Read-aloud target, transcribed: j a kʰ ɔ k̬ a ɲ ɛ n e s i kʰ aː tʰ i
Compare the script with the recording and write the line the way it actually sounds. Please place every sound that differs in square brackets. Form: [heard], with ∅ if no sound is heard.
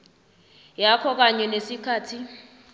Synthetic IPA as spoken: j a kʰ ɔ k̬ a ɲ ɛ n e s i kʰ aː tʰ i